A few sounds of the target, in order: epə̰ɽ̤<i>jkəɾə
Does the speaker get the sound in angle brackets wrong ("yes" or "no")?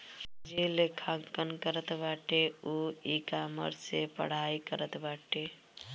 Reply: yes